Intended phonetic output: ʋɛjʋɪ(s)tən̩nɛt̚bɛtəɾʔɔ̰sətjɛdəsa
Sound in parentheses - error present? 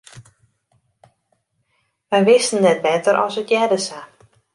no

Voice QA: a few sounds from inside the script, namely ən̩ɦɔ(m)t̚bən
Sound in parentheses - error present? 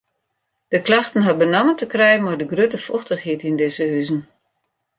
yes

